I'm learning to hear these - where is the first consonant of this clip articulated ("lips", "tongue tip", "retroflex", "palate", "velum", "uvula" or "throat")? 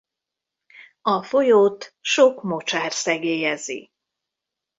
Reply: lips